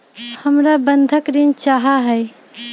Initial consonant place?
glottal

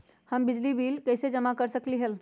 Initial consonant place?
glottal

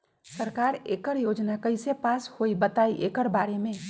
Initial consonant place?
alveolar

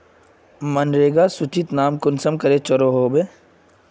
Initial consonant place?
labial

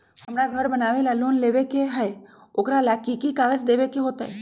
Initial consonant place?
glottal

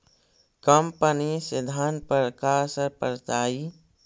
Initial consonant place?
velar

